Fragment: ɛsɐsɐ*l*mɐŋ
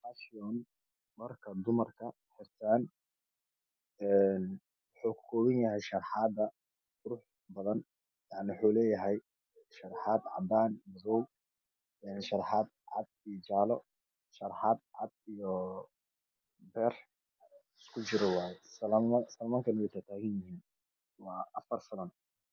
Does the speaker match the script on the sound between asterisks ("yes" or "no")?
yes